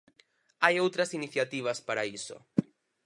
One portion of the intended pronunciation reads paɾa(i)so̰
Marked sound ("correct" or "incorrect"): correct